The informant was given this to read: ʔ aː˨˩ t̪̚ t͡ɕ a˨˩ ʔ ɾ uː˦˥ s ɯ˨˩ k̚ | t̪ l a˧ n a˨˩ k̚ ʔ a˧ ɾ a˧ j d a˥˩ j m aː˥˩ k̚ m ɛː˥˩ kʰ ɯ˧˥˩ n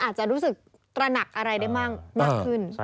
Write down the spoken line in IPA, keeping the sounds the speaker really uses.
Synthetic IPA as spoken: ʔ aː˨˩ t̪̚ t͡ɕ a˨˩ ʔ ɾ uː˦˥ s ɯ˨˩ k̚ | t̪ ɾ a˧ n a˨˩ k̚ ʔ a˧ ɾ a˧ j d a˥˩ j m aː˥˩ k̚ m aː˥˩ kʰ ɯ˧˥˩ n